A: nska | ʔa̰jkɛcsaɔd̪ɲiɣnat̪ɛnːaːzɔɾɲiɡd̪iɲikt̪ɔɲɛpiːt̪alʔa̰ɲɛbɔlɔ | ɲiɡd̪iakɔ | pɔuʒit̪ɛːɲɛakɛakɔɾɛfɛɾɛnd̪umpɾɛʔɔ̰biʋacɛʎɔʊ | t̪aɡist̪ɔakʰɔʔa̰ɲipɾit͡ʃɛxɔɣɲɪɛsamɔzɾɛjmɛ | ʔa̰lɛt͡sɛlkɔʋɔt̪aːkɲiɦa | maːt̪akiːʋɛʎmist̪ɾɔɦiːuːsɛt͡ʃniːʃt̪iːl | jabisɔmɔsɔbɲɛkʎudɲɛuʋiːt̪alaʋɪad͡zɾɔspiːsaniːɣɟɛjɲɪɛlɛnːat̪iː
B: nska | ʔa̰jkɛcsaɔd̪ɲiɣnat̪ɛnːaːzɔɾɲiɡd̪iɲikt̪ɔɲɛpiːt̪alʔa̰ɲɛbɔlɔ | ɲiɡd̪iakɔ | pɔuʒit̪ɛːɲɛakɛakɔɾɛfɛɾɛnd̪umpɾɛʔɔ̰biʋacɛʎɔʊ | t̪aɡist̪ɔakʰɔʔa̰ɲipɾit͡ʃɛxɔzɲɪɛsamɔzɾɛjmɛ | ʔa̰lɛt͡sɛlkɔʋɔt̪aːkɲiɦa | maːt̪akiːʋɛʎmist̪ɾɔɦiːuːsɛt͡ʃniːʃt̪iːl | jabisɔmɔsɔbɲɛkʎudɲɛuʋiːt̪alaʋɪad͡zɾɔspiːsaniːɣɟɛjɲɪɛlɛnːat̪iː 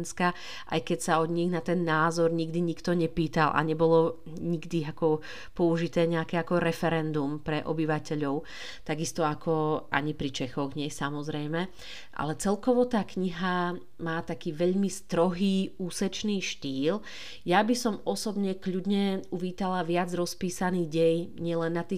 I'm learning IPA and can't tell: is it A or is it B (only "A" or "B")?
A